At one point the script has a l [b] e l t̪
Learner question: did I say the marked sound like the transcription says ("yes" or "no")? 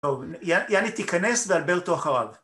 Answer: yes